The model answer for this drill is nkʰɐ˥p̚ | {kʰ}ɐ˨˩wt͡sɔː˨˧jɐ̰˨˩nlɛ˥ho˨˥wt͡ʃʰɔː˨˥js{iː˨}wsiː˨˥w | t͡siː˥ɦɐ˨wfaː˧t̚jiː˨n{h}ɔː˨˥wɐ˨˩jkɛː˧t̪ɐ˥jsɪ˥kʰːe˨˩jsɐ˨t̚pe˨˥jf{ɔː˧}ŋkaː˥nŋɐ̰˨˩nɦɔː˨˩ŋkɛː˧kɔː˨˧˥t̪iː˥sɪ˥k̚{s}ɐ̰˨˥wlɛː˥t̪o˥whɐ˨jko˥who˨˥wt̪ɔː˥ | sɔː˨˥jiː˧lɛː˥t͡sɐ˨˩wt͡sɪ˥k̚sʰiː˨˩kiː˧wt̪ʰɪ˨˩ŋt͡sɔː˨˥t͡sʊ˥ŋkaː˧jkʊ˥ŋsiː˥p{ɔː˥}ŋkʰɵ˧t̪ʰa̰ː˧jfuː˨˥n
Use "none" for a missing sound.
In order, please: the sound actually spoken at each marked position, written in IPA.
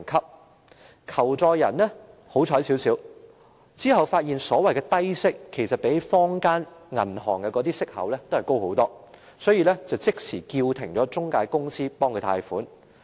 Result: kʰ, iː˨˥, s, ɔː˥, h, ɔː˥

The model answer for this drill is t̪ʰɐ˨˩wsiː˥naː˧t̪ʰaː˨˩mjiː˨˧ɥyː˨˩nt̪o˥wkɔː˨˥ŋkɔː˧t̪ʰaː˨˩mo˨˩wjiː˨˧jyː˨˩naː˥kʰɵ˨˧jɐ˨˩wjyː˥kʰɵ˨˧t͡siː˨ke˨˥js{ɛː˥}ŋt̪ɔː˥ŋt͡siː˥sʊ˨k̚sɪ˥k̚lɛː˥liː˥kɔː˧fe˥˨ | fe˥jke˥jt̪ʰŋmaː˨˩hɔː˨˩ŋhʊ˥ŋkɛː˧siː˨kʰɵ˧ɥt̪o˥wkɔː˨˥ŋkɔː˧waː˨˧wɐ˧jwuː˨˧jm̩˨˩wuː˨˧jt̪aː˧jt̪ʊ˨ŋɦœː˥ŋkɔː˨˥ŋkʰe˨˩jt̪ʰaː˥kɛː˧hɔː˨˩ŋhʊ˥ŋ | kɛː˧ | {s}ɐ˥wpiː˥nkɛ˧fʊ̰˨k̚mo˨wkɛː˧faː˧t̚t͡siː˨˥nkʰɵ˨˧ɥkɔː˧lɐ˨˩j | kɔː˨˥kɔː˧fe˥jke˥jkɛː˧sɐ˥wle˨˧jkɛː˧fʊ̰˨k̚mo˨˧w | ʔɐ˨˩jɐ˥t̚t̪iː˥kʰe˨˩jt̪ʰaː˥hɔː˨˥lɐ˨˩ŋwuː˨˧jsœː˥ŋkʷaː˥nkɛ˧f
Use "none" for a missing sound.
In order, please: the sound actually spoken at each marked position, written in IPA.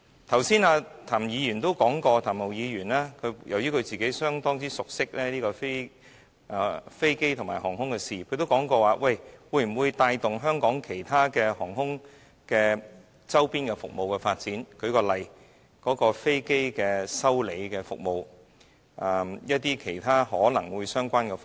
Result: œː˥, t͡s

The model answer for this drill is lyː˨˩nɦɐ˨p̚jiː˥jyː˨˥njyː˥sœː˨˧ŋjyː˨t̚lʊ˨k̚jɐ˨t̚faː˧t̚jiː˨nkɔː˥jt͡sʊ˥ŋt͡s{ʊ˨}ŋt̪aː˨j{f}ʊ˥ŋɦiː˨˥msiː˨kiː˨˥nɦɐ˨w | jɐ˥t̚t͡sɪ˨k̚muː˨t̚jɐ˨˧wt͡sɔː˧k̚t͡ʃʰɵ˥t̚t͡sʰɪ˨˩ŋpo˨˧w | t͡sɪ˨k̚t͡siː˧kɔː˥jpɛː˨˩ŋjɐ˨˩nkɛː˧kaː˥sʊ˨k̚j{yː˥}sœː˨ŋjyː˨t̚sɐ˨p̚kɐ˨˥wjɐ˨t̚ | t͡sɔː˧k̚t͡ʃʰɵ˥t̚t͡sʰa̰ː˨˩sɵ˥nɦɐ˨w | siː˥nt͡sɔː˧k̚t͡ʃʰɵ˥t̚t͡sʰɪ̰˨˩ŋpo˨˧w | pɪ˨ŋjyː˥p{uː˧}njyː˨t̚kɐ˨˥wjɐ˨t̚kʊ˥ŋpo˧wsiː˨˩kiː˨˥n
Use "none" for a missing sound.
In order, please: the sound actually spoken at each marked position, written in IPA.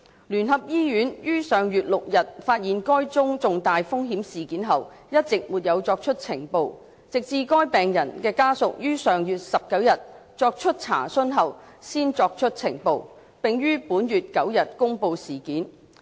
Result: ʊ˨, f, yː˥, uː˨˥

